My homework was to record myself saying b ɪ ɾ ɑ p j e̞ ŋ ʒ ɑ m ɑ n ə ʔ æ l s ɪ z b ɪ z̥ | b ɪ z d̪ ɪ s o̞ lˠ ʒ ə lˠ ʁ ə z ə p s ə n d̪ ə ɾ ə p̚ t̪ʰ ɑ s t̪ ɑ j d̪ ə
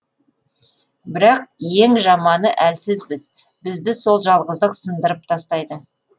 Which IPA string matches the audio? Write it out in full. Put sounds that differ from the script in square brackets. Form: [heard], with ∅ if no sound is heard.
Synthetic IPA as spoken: b ɪ ɾ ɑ [q] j e̞ ŋ ʒ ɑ m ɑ n ə ʔ æ l s ɪ z b ɪ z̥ | b ɪ z d̪ ɪ s o̞ lˠ ʒ [ɑ] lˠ ʁ ə z ə [q] s ə n d̪ ə ɾ ə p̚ t̪ʰ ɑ s t̪ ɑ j d̪ ə